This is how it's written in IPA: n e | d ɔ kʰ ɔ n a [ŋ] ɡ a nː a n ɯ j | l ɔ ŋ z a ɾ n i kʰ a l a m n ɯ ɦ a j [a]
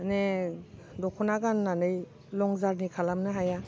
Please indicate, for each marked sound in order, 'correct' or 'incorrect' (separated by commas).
incorrect, correct